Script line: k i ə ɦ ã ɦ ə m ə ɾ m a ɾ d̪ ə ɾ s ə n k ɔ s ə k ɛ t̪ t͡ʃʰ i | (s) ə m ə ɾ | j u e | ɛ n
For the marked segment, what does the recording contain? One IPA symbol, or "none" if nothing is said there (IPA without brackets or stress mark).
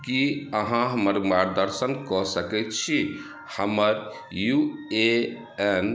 h